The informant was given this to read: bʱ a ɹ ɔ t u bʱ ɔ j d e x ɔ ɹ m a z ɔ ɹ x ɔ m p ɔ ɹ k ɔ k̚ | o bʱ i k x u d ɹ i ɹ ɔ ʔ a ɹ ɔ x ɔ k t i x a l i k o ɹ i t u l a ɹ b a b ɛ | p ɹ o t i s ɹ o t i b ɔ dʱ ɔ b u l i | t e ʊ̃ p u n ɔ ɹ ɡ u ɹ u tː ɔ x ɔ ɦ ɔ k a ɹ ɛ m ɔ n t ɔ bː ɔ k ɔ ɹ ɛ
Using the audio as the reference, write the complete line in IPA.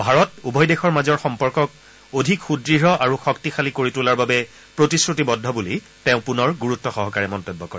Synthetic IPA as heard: bʱ a ɹ ɔ t u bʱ ɔ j d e x ɔ ɹ m a z ɔ ɹ x ɔ m p ɔ ɹ k ɔ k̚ | o dʱ i k x u d ɹ i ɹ ɔ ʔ a ɹ u x ɔ k t i x a l i k o ɹ i t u l a ɹ b a b ɛ | p ɹ o t i s ɹ u t i b ɔ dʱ ɔ b u l i | t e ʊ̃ p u n ɔ ɹ ɡ u ɹ u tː ɔ x ɔ ɦ ɔ k a ɹ ɛ m ɔ n t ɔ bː ɔ k ɔ ɹ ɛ